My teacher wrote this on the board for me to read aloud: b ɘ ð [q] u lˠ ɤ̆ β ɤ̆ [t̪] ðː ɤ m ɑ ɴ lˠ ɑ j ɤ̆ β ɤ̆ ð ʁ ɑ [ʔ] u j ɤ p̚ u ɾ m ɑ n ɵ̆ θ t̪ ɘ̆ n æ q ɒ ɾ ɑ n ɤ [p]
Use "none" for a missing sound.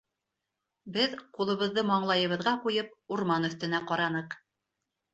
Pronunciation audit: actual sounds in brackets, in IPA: q, none, q, q

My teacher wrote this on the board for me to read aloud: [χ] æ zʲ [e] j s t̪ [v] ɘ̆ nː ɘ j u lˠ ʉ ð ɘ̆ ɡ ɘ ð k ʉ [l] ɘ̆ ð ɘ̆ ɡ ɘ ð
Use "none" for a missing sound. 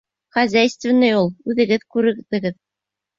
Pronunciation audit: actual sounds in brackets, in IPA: χ, æ, v, ɾ

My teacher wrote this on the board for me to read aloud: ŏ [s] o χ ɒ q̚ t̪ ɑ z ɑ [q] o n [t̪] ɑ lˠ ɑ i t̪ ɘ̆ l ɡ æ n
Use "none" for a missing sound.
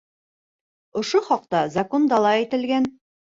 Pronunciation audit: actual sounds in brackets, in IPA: ʃ, k, d̪

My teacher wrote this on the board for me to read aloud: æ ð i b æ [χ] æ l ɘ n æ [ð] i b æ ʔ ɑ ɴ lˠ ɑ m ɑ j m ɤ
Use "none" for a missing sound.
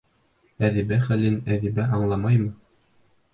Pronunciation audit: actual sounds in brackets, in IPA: χ, ð

